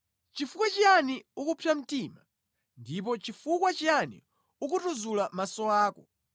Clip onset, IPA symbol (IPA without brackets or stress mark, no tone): t͡ʃ